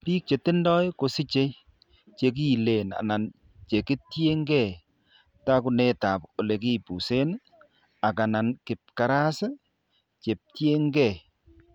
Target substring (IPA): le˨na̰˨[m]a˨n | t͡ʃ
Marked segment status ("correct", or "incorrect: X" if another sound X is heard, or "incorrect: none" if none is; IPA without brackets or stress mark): incorrect: n